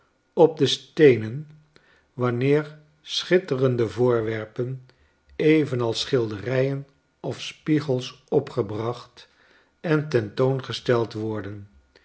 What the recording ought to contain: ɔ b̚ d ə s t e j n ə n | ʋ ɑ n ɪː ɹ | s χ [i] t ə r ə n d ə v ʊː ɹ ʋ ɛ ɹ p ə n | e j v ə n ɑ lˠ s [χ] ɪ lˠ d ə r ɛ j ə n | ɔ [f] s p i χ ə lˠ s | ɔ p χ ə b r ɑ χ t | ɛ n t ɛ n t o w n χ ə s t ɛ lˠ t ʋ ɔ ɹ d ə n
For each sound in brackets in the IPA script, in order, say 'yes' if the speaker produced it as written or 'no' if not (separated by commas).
no, yes, yes